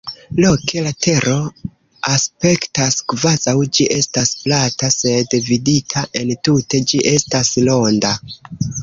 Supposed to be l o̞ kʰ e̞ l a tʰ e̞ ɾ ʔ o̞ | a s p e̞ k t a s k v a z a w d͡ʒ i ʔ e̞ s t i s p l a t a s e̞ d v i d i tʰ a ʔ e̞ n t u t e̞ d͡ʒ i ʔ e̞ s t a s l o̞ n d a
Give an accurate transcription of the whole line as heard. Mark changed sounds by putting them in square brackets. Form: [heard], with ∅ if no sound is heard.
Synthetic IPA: l o̞ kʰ e̞ l a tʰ e̞ ɾ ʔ o̞ | a s p e̞ k t a s k v a z a w d͡ʒ i ʔ e̞ s t [a] s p l a t a s e̞ d v i d i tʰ a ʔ e̞ n t u t e̞ d͡ʒ i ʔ e̞ s t a s l o̞ n d a